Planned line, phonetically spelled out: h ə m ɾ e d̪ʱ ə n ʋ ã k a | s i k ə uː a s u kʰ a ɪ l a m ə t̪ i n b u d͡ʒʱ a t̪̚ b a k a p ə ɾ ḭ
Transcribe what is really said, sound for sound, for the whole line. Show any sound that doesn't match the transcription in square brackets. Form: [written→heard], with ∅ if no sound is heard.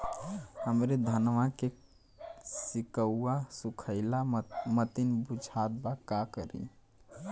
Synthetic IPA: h ə m ɾ e d̪ʱ ə n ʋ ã k [a→e] | s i k ə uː a s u kʰ [a→ə] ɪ l a m ə t̪ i n b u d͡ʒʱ a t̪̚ b a k a [p→k] ə ɾ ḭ

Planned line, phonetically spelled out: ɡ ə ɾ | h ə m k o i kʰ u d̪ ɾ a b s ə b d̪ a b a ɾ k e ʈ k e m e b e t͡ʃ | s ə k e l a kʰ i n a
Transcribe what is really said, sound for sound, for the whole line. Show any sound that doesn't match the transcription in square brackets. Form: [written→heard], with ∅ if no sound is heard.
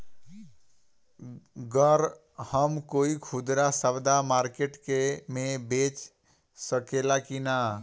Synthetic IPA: ɡ ə ɾ | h ə m k o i kʰ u d̪ ɾ a [b→∅] s ə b d̪ a [b→m] a ɾ k e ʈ k e m e b e t͡ʃ | s ə k e l a [kʰ→k] i n a

